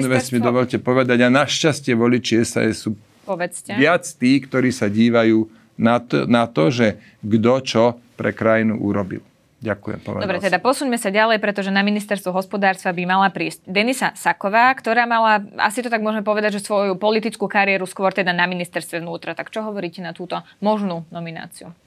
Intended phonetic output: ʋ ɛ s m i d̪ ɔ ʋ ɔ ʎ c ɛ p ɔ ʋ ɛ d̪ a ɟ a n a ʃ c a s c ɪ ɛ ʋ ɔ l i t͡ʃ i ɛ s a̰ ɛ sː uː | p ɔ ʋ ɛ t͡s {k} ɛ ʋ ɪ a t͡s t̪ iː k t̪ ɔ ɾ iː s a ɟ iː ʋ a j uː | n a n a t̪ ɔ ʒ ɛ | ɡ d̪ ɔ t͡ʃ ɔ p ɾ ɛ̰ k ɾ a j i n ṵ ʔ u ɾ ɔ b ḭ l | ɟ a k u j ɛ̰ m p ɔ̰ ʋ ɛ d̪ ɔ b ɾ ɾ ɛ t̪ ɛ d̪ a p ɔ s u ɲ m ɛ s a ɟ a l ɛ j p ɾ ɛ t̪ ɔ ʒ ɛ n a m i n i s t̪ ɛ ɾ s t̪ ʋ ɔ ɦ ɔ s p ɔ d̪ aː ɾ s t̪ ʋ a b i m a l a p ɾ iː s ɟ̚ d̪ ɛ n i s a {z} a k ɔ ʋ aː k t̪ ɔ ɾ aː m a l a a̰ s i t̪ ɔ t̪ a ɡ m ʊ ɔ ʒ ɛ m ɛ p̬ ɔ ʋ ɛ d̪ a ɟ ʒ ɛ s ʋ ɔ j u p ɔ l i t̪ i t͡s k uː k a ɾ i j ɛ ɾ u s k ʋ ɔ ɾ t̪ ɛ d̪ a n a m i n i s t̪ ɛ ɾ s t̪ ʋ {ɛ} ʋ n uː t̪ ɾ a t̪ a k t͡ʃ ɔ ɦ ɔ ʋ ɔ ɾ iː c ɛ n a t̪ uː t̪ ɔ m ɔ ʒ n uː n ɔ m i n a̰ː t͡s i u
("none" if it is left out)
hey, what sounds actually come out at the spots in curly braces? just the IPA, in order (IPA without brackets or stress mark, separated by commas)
c, s, ɛ